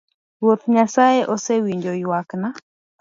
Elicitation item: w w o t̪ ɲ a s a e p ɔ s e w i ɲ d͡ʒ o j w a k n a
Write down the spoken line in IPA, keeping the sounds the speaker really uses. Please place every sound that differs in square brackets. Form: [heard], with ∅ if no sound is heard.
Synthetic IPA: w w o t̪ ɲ a s a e [ʔ] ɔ s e w i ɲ d͡ʒ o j w a k n a